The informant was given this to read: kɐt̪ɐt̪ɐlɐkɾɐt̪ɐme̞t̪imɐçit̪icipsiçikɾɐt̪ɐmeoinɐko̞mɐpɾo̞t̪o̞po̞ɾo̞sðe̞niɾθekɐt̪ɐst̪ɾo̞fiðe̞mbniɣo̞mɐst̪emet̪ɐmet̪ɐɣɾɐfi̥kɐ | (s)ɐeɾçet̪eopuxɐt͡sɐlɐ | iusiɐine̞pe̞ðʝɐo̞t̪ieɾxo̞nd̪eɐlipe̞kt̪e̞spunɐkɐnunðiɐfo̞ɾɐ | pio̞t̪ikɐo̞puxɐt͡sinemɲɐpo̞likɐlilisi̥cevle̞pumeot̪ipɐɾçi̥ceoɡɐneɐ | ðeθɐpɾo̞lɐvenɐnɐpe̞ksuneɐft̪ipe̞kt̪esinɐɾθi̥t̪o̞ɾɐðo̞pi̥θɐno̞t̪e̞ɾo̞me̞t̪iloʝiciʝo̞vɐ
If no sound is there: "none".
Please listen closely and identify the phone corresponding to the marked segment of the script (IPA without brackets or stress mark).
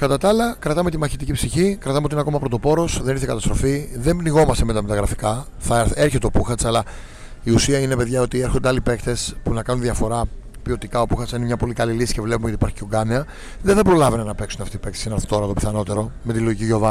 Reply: θ